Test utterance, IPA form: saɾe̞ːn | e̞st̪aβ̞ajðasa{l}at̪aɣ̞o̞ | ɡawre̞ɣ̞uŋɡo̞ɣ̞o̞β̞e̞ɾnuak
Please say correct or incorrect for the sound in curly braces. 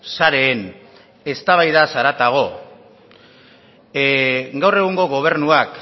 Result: incorrect